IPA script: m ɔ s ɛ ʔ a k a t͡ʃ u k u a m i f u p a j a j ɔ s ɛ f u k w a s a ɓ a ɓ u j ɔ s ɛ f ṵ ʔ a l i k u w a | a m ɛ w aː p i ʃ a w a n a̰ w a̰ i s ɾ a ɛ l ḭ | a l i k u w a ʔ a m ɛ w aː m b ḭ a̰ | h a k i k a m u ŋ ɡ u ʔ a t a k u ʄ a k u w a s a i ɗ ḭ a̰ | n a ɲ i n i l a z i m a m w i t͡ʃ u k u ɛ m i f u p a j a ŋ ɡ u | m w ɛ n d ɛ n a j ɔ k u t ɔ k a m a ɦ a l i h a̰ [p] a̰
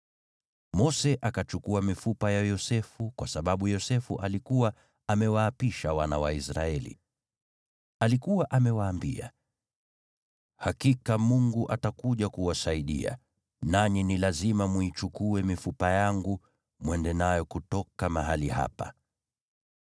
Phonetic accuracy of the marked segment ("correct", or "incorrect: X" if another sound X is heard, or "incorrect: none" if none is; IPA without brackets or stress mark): correct